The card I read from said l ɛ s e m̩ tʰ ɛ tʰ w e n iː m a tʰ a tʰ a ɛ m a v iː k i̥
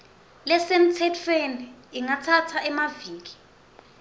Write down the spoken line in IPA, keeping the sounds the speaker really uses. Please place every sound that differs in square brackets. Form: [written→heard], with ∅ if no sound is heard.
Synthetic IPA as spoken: l ɛ s e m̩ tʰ ɛ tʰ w e n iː [m→ŋ] a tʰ a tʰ a ɛ m a v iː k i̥